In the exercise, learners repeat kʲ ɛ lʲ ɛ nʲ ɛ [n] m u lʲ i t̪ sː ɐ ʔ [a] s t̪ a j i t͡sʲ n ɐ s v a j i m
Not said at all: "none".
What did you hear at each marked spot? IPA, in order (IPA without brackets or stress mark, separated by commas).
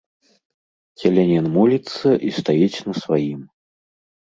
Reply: n, i